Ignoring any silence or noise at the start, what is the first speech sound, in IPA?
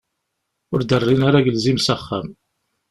ʊ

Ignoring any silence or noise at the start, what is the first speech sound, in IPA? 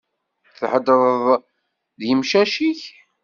θ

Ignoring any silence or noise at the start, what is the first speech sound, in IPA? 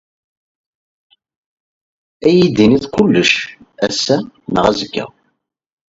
æ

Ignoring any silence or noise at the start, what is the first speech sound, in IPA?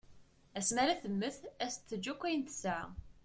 æ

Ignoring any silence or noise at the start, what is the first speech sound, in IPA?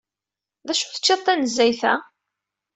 ð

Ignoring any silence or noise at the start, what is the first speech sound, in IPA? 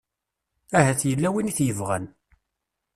æ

